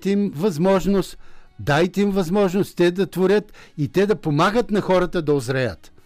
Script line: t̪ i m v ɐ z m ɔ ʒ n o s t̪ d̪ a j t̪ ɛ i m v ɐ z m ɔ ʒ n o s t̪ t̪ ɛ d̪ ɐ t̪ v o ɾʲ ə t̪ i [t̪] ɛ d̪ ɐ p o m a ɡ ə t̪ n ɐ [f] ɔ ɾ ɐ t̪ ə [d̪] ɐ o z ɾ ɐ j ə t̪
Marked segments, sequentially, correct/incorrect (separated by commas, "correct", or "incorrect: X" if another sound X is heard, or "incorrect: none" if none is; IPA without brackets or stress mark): correct, incorrect: x, correct